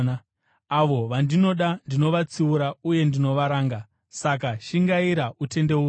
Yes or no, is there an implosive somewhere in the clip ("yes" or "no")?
yes